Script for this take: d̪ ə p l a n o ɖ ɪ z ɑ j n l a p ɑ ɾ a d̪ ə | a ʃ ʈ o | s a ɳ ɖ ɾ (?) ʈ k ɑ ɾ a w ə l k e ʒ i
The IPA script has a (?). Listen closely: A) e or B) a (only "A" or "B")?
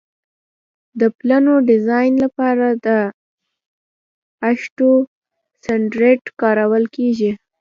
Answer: A